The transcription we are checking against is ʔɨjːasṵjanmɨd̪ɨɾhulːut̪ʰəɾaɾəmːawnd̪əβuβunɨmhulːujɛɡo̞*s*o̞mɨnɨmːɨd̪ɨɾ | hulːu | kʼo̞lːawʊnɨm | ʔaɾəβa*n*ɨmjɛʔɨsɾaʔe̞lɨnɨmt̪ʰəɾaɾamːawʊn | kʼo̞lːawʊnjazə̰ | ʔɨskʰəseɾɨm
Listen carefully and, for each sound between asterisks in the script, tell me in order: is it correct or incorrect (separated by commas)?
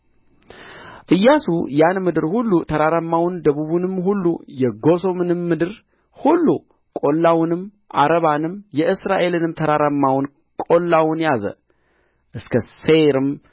correct, correct